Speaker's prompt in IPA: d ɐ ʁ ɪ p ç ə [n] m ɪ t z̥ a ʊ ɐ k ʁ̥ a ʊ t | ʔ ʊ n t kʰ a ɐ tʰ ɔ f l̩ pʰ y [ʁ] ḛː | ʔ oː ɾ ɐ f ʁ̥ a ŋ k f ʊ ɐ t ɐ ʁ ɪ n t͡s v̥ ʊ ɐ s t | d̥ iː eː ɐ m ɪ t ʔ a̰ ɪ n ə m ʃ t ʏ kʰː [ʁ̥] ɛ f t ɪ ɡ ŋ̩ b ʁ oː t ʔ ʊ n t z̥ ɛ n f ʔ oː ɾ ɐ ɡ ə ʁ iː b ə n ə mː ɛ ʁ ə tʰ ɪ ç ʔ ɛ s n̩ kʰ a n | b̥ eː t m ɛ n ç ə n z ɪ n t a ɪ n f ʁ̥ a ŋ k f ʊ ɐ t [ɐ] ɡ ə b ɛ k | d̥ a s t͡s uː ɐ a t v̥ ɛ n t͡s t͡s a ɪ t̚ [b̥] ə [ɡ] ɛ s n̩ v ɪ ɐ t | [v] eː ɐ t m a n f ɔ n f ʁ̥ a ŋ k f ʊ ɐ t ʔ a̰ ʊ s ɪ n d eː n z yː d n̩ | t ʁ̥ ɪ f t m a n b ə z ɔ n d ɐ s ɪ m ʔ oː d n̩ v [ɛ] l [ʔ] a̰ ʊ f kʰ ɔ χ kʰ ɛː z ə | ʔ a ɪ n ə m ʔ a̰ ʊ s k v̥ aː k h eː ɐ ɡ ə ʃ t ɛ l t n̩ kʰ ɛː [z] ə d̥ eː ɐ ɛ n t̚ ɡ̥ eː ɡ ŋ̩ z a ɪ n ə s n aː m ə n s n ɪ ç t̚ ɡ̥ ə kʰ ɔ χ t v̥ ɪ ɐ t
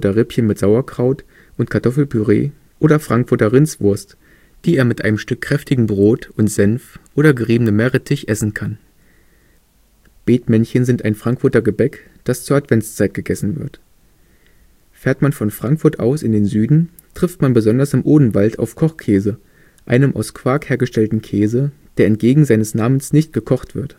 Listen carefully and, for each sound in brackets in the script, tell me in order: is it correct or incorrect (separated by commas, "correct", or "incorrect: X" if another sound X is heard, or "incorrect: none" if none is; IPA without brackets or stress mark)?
correct, correct, correct, correct, incorrect: ɡ̥, correct, incorrect: f, incorrect: a, incorrect: t, correct